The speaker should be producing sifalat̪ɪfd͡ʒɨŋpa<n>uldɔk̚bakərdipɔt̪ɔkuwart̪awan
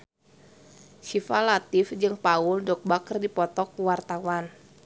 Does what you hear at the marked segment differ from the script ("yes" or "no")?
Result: yes